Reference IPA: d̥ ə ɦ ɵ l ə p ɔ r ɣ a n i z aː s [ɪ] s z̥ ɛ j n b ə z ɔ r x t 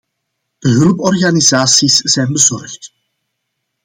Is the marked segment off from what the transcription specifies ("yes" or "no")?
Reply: yes